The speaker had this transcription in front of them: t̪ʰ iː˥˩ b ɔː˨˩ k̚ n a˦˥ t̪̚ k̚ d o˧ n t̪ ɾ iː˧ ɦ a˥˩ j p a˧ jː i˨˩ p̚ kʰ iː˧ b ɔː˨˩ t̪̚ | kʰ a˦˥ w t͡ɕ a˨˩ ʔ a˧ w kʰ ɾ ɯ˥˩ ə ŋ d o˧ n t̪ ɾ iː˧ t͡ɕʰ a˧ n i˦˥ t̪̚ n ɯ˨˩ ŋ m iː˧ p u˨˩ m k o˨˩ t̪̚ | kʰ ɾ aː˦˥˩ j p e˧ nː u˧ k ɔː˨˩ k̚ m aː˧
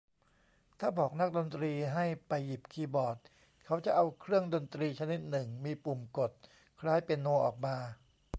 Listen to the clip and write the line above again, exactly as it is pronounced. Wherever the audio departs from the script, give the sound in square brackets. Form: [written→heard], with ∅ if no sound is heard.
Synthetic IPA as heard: t̪ʰ [iː˥˩→aː˥˩] b ɔː˨˩ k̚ n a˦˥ [t̪̚→∅] k̚ d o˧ n t̪ ɾ iː˧ ɦ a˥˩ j p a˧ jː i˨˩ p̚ kʰ iː˧ b ɔː˨˩ t̪̚ | kʰ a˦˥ w t͡ɕ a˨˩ ʔ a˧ w kʰ ɾ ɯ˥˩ ə ŋ d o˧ n t̪ ɾ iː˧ t͡ɕʰ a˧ n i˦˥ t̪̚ n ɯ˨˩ ŋ m iː˧ p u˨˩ m k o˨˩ t̪̚ | kʰ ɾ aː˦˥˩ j p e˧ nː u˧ [k→ʔ] ɔː˨˩ k̚ m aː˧